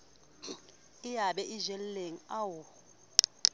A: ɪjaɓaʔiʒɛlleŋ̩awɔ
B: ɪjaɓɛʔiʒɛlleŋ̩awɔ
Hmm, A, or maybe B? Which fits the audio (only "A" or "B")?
B